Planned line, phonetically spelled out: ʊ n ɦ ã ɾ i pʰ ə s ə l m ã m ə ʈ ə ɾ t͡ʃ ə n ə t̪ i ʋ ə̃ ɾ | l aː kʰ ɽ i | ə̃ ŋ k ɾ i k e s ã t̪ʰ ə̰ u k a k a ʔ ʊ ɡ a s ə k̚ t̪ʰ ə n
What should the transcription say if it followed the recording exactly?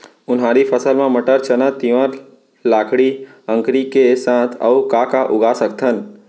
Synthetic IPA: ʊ n ɦ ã ɾ i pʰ ə s ə l m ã m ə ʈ ə ɾ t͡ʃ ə n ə t̪ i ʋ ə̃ ɾ | l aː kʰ ɽ i | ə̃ ŋ k ɾ i k e s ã t̪ʰ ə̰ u k a k a ʔ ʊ ɡ a s ə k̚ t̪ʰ ə n